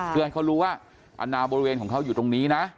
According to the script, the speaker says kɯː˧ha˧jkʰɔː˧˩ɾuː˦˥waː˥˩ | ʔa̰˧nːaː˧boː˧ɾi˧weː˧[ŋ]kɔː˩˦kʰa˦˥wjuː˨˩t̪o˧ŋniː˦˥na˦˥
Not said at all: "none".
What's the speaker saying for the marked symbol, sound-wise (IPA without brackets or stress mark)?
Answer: n